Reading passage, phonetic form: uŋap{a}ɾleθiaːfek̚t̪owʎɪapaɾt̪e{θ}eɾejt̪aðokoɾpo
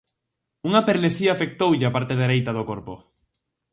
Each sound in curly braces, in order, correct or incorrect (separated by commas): incorrect, incorrect